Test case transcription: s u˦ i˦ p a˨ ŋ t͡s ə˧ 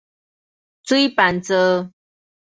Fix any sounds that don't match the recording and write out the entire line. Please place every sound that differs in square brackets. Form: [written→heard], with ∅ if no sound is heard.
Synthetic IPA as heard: [s→t͡s] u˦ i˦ p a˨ [ŋ→n] t͡s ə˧